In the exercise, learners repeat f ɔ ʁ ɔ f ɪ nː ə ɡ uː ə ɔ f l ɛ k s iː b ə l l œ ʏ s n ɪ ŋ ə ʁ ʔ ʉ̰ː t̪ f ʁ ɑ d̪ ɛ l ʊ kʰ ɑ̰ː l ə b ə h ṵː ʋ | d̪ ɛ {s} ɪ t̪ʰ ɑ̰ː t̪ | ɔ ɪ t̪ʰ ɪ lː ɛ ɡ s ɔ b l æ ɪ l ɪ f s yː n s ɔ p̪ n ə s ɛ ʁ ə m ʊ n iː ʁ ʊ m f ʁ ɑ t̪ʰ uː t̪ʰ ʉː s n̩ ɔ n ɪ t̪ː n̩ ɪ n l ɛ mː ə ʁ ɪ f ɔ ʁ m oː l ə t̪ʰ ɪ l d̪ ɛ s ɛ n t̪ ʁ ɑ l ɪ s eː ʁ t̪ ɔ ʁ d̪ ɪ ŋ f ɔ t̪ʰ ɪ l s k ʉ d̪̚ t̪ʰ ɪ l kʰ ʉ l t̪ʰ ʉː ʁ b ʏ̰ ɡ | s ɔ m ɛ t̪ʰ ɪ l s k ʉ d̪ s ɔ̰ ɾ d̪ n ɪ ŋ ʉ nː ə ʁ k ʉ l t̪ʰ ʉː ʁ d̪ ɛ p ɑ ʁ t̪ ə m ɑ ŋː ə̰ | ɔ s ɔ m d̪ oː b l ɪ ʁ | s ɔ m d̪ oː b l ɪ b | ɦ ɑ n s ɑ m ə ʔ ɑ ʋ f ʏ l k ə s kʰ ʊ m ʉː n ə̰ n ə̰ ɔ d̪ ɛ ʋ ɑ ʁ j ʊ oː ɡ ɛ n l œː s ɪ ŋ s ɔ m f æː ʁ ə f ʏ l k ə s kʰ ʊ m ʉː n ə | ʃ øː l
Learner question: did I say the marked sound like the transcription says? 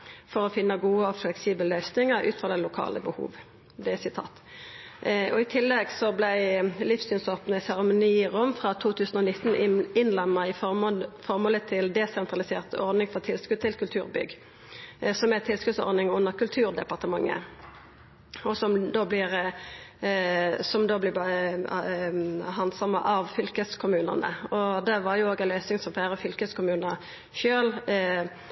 yes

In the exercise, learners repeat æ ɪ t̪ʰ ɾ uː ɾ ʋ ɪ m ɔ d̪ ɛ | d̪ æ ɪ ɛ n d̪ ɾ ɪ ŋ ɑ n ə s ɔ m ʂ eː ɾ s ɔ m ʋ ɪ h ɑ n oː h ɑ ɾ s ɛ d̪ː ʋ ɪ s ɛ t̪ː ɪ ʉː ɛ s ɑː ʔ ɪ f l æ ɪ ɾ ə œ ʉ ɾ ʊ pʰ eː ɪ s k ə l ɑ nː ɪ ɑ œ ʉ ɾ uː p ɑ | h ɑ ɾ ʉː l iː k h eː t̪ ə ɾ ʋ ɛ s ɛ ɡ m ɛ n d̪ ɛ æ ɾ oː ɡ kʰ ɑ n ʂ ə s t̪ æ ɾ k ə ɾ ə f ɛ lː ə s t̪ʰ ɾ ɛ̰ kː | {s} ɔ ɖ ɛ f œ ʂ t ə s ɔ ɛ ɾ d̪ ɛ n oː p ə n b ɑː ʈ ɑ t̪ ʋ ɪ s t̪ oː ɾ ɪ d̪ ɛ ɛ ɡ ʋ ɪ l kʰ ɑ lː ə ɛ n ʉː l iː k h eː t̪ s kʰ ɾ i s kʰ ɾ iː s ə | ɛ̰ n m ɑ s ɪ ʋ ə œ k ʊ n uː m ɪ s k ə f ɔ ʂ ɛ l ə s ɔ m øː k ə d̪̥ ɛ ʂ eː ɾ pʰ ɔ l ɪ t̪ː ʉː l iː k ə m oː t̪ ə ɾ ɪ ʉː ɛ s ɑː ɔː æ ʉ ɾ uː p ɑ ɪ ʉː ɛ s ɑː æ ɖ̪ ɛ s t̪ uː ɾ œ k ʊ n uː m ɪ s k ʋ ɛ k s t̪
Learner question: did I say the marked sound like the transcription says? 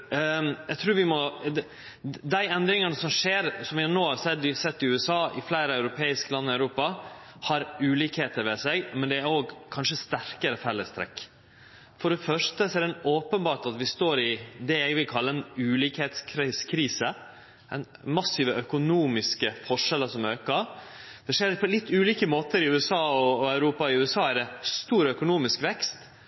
no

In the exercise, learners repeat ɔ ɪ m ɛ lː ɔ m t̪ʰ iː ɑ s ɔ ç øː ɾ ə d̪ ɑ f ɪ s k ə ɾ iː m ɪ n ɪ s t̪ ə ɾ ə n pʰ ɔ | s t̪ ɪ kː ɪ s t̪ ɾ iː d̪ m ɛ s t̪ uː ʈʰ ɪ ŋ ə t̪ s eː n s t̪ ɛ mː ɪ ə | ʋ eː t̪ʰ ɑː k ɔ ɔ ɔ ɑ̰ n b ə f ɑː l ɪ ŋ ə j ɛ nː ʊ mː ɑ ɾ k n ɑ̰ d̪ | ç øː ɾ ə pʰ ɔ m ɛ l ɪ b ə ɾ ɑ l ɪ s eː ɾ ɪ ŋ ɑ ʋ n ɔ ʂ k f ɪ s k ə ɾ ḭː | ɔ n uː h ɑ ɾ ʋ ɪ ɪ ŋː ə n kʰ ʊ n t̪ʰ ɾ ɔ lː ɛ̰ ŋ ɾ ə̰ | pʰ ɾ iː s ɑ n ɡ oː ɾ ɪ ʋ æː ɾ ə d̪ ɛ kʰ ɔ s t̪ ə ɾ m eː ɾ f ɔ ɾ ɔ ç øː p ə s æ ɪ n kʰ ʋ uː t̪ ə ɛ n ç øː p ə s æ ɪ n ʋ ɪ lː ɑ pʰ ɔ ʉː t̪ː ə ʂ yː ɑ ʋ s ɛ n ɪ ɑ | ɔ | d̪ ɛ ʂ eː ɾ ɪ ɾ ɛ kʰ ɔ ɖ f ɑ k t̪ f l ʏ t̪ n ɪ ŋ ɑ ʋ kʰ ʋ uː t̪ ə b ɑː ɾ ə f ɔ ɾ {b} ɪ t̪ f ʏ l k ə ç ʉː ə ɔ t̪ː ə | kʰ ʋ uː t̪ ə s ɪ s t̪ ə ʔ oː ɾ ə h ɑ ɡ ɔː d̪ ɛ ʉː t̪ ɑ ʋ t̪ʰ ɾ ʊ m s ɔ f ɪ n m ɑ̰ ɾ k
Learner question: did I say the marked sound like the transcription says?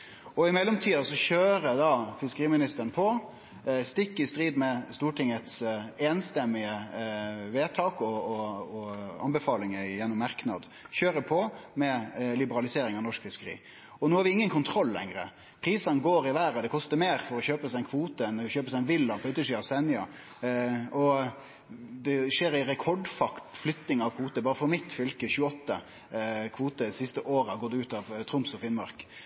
no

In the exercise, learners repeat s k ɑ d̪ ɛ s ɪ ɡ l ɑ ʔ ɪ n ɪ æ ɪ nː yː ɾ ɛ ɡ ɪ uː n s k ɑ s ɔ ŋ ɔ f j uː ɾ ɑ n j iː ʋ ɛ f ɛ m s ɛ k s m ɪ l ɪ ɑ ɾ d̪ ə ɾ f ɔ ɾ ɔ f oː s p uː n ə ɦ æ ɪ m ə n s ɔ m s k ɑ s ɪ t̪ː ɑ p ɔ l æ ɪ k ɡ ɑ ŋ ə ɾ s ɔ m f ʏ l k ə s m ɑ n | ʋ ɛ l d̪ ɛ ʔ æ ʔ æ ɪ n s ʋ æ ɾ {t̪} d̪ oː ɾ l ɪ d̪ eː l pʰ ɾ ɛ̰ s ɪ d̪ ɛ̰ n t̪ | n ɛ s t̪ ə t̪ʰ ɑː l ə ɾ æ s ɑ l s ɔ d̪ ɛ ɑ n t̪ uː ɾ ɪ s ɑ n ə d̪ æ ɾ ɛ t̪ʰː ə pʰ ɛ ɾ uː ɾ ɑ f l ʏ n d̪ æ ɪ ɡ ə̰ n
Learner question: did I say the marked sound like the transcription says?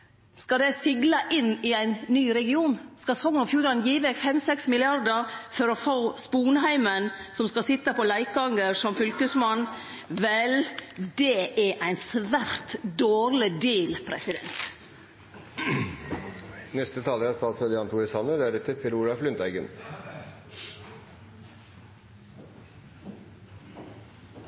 yes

